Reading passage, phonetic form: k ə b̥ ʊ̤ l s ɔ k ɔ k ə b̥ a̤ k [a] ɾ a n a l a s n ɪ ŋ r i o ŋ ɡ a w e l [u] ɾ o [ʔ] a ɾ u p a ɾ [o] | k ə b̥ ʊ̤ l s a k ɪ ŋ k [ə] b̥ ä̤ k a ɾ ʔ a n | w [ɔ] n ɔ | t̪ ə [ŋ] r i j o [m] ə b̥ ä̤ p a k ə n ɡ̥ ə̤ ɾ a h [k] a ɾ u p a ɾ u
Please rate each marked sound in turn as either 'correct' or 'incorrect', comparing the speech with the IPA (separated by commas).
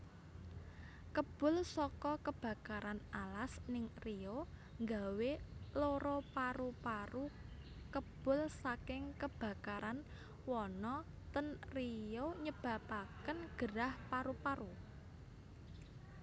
correct, incorrect, incorrect, incorrect, correct, correct, incorrect, incorrect, incorrect